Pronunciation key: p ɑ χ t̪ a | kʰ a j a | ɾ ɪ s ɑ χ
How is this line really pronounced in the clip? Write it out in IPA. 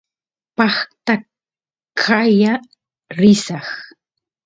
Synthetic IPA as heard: p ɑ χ t̪ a | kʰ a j a | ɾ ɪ s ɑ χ